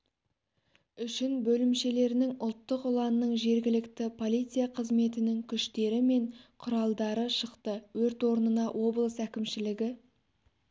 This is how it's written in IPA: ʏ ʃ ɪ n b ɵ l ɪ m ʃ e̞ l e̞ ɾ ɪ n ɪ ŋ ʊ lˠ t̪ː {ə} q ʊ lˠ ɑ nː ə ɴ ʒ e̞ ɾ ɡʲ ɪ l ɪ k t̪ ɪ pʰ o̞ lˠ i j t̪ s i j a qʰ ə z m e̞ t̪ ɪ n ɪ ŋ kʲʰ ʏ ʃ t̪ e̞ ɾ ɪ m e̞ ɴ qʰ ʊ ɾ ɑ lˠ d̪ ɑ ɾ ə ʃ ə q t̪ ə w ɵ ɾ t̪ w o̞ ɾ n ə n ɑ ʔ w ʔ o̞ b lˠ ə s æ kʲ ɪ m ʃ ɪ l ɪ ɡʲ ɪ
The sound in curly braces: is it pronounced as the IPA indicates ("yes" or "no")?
yes